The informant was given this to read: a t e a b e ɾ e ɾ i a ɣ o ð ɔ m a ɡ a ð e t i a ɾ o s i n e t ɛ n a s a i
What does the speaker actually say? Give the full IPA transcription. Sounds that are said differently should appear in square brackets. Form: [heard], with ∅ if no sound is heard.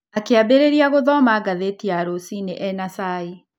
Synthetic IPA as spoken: a [k] e a b e ɾ e ɾ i a ɣ o ð ɔ m a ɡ a ð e t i a ɾ o s i n e [ʔ] ɛ n a s a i